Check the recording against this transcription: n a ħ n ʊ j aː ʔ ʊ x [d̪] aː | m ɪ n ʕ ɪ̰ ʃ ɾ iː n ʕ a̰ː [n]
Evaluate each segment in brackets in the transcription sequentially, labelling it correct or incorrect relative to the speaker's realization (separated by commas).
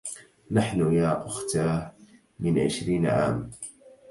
incorrect, incorrect